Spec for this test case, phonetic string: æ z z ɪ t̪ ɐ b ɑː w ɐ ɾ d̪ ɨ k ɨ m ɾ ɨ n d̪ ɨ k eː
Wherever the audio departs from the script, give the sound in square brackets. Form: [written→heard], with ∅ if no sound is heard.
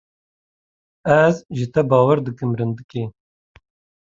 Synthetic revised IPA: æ z [z→ʒ] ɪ t̪ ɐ b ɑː w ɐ ɾ d̪ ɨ k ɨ m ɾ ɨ n d̪ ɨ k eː